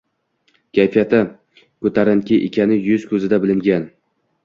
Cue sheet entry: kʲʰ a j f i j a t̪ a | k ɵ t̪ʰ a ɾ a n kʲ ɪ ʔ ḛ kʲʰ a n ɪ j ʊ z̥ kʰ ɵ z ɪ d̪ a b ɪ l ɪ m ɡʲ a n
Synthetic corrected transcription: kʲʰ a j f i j a t̪ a | k ɵ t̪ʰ a ɾ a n kʲ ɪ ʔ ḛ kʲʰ a n ɪ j ʊ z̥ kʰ ɵ z ɪ d̪ a b ɪ l ɪ ŋ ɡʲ a n